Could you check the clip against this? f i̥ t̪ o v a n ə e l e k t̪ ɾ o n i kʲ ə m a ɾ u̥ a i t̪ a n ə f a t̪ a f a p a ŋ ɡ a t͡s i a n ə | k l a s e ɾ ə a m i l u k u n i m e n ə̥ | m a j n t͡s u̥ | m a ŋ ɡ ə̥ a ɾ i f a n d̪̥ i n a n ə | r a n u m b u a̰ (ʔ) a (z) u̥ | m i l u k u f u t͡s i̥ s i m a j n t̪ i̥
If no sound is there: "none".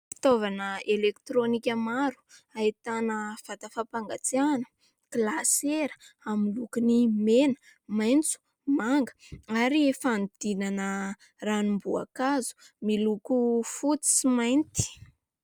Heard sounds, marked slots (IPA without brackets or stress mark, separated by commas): k, z